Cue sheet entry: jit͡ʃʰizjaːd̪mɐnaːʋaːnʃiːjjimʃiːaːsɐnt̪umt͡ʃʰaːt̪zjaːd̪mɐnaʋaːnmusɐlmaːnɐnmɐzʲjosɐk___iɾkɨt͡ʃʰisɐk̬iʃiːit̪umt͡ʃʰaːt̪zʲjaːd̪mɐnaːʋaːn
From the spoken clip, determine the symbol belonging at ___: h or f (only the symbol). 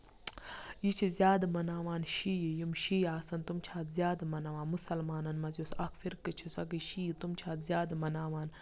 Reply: f